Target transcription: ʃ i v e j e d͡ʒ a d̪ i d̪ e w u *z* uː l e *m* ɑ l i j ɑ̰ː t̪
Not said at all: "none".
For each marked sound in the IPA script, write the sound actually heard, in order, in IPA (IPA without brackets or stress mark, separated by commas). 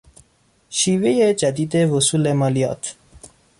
s, m